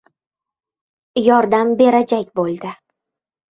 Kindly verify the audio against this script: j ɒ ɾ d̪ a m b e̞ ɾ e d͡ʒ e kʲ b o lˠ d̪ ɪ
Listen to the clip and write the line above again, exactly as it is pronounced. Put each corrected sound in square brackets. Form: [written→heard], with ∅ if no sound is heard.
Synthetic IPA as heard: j ɒ ɾ d̪ a m b e̞ ɾ [e→a] d͡ʒ [e→a] kʲ b o lˠ d̪ ɪ